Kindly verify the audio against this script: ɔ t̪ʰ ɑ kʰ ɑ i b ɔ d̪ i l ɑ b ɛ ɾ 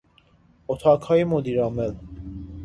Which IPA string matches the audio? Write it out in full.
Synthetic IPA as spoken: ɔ t̪ʰ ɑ kʰ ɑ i m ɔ d̪ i ɾ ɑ m ɛ l